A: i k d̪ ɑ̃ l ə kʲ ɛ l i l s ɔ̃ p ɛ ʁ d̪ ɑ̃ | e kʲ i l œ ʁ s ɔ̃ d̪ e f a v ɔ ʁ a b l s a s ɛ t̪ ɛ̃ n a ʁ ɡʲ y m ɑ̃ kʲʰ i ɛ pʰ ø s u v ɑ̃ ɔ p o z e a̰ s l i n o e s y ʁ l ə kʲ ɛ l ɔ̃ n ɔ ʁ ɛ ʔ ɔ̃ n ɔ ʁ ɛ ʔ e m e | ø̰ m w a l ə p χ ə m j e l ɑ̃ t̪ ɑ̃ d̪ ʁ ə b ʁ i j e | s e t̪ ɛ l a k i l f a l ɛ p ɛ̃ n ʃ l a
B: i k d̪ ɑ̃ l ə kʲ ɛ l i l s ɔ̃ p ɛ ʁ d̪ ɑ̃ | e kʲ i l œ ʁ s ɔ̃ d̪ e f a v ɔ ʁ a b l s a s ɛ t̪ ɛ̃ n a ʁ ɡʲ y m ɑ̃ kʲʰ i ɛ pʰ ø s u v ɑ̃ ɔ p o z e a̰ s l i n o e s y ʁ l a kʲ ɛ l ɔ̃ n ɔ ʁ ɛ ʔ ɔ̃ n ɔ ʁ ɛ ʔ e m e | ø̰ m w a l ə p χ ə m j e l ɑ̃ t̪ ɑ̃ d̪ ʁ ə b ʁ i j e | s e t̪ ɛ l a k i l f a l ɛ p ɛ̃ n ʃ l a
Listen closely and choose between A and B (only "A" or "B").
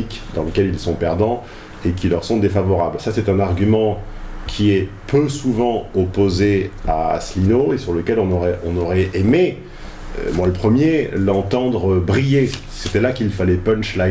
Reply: A